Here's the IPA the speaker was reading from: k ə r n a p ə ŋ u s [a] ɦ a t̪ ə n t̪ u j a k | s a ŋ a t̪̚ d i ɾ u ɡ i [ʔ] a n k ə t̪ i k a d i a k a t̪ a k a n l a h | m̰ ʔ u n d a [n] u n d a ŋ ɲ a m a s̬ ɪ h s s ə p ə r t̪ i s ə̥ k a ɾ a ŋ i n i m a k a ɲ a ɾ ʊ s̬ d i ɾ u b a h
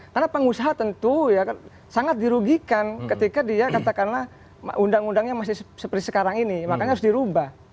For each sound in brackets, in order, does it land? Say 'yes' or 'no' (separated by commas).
yes, no, no